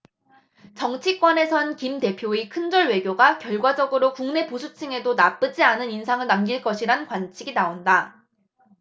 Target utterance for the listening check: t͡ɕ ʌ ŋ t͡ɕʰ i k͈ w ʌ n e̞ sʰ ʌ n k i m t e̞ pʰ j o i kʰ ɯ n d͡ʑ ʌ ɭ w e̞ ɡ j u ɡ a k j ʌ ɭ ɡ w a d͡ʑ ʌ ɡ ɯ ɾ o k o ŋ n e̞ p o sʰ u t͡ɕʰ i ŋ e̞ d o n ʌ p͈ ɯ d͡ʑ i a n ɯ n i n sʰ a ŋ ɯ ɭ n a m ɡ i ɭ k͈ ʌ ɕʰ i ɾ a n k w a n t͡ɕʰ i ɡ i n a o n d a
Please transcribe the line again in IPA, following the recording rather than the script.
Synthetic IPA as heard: t͡ɕ ʌ ŋ t͡ɕʰ i k͈ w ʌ n e̞ sʰ ʌ n k i m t e̞ pʰ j o i kʰ ɯ n d͡ʑ ʌ ɭ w e̞ ɡ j o ɡ a k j ʌ ɭ ɡ w a d͡ʑ ʌ ɡ ɯ ɾ o k u ŋ n e̞ p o sʰ u t͡ɕʰ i ŋ e̞ d o n a p͈ ɯ d͡ʑ i a n ɯ n i n sʰ a ŋ ɯ ɭ n a m ɡ i ɭ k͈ ʌ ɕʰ i ɾ a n k w a n t͡ɕʰ i ɡ i n a o n d a